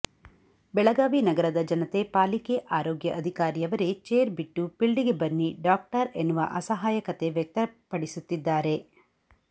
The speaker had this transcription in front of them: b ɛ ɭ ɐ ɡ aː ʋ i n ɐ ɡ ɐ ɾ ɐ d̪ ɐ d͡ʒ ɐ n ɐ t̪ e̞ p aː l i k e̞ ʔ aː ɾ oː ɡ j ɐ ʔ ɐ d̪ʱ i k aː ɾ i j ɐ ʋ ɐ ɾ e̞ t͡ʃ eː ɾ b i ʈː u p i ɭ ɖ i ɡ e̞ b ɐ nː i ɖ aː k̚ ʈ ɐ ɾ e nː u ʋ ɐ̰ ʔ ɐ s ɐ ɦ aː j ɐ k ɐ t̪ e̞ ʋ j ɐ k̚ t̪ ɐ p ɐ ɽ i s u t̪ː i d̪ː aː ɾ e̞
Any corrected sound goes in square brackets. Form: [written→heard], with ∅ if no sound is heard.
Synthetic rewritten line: b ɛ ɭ ɐ ɡ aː ʋ i n ɐ ɡ ɐ ɾ ɐ d̪ ɐ d͡ʒ ɐ n ɐ t̪ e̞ p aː l i k e̞ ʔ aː ɾ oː ɡ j ɐ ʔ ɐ d̪ʱ i k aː ɾ i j ɐ ʋ ɐ ɾ e̞ t͡ʃ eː ɾ b i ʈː u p i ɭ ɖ i ɡ e̞ b ɐ nː i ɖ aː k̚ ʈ ɐ ɾ e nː u ʋ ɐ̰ ʔ ɐ s ɐ ɦ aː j ɐ k ɐ t̪ e̞ ʋ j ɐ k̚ t̪ ɐ p ɐ ɽ i s u t̪ː i d̪ː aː ɾ e̞